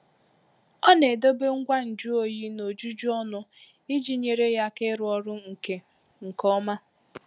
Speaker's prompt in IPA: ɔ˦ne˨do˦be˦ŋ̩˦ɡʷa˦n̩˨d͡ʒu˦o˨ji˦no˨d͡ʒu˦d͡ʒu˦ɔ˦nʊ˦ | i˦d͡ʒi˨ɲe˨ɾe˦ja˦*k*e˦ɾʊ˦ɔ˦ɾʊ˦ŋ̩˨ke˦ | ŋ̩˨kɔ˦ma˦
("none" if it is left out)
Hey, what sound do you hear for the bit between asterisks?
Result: k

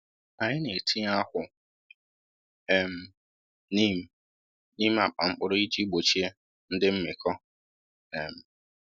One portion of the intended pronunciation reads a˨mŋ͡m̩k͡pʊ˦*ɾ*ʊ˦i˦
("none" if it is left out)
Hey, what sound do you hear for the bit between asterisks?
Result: ɾ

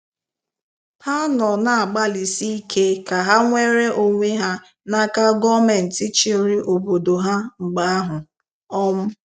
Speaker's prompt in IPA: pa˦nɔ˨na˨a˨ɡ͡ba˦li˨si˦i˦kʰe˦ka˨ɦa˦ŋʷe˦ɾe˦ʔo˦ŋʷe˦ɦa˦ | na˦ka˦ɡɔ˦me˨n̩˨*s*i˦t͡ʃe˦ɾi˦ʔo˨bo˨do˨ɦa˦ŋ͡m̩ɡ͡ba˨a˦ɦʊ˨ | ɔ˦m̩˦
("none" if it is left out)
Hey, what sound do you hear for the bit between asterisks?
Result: t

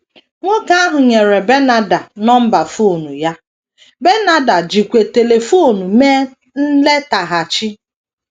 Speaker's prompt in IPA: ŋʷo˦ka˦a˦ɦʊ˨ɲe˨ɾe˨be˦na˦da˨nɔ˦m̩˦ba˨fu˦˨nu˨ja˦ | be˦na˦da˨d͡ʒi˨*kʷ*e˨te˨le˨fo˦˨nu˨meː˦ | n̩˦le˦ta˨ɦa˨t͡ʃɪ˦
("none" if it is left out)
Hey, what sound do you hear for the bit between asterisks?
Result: kʷ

